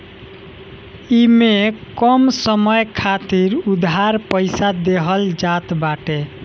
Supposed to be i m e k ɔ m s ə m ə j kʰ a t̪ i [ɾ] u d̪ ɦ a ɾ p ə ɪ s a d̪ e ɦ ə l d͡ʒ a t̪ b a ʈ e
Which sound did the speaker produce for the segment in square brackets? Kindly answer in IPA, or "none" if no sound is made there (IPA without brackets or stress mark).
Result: ɾ